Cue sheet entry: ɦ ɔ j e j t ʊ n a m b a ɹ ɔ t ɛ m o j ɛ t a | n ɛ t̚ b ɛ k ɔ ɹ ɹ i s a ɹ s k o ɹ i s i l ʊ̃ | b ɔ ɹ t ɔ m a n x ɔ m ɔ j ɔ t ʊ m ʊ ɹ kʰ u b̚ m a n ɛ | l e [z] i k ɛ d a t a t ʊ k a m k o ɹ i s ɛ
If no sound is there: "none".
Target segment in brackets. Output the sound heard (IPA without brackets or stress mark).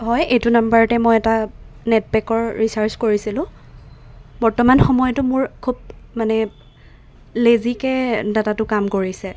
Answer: z